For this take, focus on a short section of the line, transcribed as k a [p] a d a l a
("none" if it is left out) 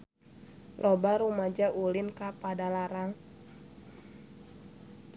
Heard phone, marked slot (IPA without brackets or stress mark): p